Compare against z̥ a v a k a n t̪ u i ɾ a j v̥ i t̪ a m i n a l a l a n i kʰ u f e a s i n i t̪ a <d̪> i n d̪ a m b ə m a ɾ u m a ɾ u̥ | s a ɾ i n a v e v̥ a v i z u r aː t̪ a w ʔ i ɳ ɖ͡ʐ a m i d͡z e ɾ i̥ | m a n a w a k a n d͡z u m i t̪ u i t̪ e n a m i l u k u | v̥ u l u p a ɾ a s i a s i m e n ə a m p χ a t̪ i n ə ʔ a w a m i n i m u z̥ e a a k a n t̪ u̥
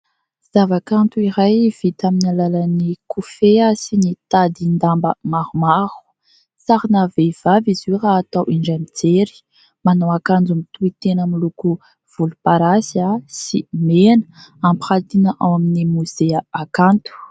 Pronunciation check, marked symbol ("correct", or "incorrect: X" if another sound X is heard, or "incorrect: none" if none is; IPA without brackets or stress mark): correct